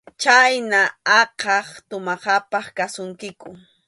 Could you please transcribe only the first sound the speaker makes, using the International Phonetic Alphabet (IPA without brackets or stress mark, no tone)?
t͡ʃ